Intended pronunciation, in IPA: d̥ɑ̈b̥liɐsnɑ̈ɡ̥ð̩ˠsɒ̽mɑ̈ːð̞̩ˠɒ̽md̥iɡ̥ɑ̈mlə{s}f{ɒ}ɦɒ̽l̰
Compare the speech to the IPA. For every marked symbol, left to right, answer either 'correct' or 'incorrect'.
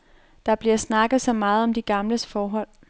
correct, incorrect

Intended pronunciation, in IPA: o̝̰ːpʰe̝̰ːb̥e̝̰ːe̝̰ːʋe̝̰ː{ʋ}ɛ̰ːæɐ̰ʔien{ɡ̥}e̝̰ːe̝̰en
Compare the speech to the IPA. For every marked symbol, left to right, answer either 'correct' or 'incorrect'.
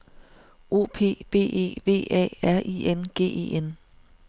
incorrect, correct

